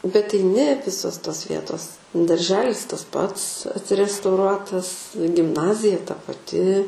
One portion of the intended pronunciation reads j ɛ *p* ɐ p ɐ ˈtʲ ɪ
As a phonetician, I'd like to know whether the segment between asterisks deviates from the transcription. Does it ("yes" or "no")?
yes